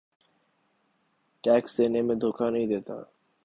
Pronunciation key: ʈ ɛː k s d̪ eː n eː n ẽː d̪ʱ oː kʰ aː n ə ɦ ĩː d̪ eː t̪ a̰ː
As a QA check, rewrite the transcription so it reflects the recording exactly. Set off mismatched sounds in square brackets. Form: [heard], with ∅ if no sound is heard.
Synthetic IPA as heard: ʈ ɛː k s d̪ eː n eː [m] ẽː d̪ʱ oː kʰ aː n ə ɦ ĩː d̪ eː t̪ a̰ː